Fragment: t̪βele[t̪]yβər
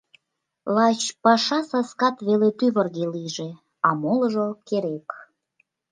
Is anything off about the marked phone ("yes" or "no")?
no